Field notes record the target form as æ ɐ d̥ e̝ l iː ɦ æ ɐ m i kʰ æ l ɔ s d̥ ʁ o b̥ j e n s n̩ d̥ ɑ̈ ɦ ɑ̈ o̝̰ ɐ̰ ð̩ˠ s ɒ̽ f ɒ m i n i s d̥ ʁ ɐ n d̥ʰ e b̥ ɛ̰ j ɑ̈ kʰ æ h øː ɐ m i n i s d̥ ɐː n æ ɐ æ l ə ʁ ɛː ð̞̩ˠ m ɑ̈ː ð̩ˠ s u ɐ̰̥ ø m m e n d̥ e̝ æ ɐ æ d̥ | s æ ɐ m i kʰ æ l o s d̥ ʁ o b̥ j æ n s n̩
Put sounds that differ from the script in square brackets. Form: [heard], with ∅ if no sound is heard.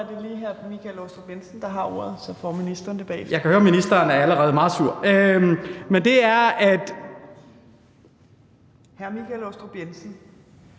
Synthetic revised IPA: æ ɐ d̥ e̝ l iː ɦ æ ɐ m i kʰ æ l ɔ s d̥ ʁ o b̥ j e n s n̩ d̥ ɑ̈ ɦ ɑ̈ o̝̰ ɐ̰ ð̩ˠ s ɒ̽ f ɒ m i n i s d̥ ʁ ɐ n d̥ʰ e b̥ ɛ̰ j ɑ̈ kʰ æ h øː ɐ m i n i s d̥ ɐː n æ ɐ æ l ə ʁ ɛː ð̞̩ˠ m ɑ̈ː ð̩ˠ s u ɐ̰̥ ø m m e n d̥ e̝ æ ɐ æ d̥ | [h] æ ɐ m i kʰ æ l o s d̥ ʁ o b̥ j [e] n s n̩